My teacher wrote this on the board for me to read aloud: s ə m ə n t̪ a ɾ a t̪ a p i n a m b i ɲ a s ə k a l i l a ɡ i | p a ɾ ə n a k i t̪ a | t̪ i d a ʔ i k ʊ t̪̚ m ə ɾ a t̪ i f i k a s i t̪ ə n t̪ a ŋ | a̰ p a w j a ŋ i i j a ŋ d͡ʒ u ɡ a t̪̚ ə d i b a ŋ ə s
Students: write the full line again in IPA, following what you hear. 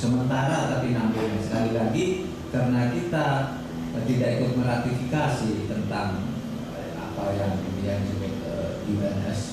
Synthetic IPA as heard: s ə m ə n t̪ a ɾ a t̪ a p i n a m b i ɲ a s ə k a l i l a ɡ i | k a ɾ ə n a k i t̪ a | t̪ i d a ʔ i k ʊ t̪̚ m ə ɾ a t̪ i f i k a s i t̪ ə n t̪ a ŋ | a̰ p a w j a ŋ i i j a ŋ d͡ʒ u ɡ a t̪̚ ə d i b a n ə s